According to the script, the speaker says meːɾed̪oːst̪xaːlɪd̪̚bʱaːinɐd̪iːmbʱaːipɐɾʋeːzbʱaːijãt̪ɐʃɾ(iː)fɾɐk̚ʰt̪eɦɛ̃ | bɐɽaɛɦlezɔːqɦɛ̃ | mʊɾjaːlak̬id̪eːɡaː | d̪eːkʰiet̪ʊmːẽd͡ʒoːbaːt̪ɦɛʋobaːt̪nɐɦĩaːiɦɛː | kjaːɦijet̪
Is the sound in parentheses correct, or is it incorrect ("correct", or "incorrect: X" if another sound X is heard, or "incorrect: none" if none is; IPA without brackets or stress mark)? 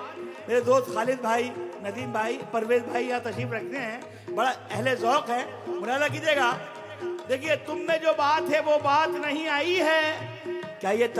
correct